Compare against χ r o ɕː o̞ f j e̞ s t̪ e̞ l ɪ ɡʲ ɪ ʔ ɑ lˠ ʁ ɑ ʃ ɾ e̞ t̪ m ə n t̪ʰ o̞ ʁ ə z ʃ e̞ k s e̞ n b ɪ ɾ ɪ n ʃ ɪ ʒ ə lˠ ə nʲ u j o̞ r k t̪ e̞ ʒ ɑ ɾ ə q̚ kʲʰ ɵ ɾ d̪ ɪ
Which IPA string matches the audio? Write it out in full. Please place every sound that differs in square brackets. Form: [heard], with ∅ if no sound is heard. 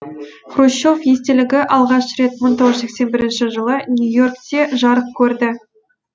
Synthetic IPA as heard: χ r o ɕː o̞ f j e̞ s t̪ e̞ l ɪ ɡʲ ɪ ʔ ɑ lˠ ʁ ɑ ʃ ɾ e̞ t̪ m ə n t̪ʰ o̞ ʁ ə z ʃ e̞ k s e̞ n b ɪ ɾ ɪ n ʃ ɪ ʒ ə lˠ ə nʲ u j o̞ r k t̪ e̞ ʒ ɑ ɾ ə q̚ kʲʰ ɵ ɾ d̪ ɪ